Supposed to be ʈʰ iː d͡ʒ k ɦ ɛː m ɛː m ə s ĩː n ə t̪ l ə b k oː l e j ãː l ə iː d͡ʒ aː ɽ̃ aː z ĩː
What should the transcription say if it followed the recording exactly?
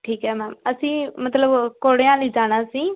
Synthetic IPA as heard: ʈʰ iː k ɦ ɛː m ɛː m ə s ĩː m ə t̪ l ə b k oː ɽ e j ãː l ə iː d͡ʒ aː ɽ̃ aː s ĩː